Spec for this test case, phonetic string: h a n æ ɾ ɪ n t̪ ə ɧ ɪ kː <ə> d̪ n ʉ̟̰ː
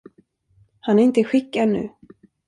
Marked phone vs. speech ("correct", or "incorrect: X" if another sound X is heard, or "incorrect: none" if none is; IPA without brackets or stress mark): incorrect: a